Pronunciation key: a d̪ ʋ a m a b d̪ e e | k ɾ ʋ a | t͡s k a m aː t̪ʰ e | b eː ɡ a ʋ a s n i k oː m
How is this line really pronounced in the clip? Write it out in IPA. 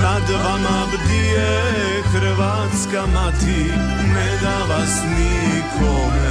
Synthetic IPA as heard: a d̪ ʋ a m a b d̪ i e | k ɾ ʋ a | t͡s k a m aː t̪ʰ i | m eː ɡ a ʋ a s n i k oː m